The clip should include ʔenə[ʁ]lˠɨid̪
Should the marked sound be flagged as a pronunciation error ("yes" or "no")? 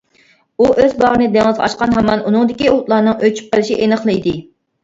yes